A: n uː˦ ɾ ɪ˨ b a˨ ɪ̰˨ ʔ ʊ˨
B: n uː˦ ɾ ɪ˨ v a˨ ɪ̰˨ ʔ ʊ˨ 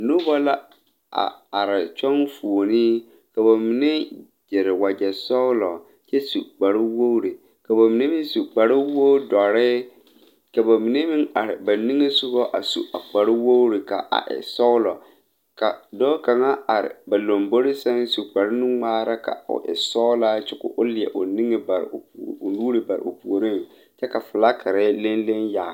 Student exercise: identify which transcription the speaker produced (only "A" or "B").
A